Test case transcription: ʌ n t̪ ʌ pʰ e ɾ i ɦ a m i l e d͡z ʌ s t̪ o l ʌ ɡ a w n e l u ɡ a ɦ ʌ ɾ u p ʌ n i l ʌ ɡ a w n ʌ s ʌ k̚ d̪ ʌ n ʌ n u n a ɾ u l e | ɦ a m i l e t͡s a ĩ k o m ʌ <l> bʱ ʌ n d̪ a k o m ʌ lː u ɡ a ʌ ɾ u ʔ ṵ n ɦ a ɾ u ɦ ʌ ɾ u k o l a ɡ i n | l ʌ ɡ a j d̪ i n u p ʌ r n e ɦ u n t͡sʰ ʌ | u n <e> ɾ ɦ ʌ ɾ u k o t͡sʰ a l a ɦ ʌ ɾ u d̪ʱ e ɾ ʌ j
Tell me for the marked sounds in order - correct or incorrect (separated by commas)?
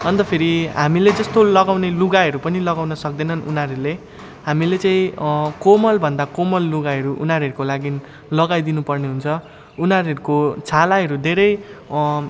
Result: correct, incorrect